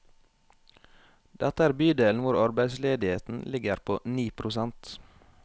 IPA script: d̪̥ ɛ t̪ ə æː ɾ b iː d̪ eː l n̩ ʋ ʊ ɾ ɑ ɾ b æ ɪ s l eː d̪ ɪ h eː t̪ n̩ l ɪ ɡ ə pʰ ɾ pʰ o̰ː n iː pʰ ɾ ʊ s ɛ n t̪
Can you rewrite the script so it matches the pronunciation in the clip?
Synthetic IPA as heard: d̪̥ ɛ t̪ ə æː ɾ b yː d̪ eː l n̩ ʋ ʊ ɾ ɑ ɾ b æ ɪ s l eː d̪ ɪ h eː t̪ n̩ l ɪ ɡ ə ɾ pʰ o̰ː n iː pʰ ɾ ʊ s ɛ n t̪